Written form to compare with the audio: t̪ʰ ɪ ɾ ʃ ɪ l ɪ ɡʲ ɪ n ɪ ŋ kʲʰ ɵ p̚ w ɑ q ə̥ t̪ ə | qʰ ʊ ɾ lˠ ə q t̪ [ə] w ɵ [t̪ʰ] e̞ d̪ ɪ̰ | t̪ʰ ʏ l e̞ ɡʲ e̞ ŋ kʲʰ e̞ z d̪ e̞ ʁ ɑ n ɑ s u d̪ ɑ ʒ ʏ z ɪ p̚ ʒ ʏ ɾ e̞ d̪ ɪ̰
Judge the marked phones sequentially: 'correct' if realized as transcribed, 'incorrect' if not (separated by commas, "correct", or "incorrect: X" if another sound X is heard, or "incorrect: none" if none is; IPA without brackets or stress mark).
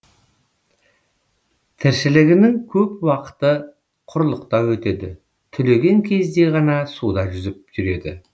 incorrect: ɑ, incorrect: t̪